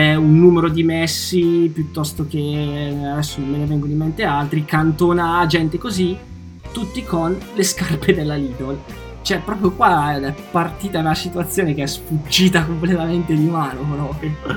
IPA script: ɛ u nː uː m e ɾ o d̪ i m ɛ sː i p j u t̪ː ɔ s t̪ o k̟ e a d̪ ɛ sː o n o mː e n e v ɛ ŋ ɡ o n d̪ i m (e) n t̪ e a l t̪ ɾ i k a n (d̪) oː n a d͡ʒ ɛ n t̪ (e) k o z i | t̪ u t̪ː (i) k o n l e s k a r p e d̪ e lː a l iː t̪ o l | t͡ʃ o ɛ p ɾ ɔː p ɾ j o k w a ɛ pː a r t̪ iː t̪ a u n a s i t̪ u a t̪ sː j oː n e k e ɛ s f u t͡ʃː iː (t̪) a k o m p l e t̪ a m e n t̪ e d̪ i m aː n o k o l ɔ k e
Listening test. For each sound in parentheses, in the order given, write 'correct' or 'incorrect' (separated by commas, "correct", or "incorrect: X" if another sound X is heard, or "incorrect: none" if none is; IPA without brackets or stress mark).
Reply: correct, incorrect: t̪, correct, correct, correct